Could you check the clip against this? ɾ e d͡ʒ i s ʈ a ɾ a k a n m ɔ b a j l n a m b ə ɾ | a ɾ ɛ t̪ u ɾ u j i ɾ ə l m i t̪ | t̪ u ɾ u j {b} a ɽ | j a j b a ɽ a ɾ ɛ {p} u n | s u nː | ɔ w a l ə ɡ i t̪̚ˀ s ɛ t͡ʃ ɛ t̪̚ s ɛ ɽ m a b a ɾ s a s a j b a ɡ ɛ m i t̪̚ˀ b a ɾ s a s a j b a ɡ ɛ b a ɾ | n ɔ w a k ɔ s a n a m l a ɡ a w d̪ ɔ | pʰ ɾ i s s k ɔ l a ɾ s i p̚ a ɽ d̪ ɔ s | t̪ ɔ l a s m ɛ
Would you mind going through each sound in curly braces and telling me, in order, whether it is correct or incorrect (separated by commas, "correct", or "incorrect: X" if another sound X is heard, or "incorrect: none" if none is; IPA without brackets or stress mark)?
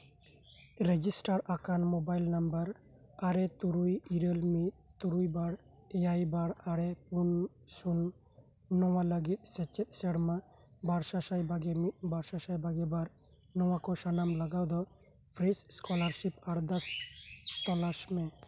correct, correct